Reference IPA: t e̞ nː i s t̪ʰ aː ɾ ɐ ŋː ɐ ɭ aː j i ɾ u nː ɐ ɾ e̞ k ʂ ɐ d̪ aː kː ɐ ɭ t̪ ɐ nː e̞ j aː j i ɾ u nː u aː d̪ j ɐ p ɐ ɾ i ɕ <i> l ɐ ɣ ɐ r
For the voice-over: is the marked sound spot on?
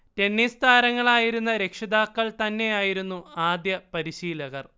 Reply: no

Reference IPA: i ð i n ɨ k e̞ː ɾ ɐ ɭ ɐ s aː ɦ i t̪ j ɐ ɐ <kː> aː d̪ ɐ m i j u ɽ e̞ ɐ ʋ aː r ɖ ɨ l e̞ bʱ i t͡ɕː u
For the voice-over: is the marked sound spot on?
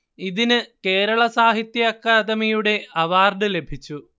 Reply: yes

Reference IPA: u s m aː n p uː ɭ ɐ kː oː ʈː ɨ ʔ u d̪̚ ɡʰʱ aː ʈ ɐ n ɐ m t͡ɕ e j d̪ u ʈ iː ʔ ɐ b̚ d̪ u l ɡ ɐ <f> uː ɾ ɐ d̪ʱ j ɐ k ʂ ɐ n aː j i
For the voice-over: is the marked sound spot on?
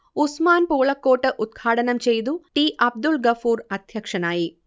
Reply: yes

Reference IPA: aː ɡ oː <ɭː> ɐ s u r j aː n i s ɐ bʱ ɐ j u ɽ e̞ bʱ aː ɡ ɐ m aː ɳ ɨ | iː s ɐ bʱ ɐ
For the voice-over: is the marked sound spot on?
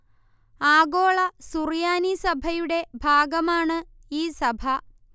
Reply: no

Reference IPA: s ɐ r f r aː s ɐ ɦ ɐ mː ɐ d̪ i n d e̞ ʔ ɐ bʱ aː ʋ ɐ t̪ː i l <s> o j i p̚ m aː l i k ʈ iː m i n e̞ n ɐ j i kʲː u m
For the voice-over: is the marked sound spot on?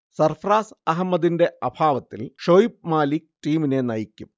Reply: no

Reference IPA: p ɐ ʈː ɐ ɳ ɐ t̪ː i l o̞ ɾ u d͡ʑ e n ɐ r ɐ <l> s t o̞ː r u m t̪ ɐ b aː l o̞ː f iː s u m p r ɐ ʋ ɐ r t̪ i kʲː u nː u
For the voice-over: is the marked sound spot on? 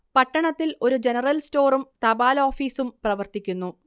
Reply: yes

